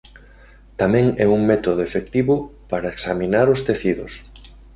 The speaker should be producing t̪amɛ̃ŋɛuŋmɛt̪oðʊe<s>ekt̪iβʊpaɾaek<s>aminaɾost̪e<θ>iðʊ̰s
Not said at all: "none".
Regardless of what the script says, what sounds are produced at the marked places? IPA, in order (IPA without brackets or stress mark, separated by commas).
f, s, θ